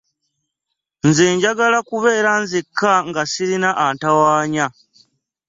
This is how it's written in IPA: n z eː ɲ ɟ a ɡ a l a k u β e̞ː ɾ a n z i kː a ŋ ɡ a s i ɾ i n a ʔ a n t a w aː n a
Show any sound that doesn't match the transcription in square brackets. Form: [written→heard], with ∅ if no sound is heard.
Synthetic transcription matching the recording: n z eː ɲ ɟ a ɡ a l a k u β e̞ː ɾ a n z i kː a ŋ ɡ a s i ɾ i n a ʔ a n t a w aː [n→ɲ] a